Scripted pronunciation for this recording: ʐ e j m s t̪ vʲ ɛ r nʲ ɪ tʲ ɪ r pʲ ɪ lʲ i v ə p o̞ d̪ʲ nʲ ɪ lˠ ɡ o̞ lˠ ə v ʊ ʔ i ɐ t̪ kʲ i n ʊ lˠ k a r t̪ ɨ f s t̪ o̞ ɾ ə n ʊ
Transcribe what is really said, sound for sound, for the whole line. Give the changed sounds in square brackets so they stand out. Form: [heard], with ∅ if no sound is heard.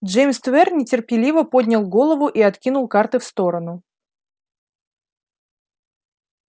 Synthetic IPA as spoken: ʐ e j m s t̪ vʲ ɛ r nʲ ɪ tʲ ɪ r pʲ ɪ lʲ i v ə p o̞ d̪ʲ nʲ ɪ lˠ ɡ o̞ lˠ ə v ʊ ʔ i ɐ t̪ kʲ i n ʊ lˠ k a r t̪ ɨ f s t̪ o̞ ɾ ə n ʊ